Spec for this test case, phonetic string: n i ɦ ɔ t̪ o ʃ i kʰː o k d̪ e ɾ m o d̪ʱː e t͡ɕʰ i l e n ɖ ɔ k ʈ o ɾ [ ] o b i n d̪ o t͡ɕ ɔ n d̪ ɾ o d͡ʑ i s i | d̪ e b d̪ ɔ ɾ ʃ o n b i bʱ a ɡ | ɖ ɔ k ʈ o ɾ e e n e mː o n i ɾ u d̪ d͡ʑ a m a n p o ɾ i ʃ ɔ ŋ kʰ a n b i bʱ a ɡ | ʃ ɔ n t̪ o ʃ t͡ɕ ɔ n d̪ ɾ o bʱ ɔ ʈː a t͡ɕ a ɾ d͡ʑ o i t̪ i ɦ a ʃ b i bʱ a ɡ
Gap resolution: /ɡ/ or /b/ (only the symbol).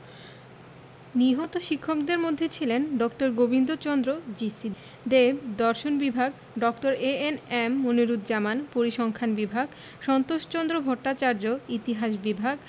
ɡ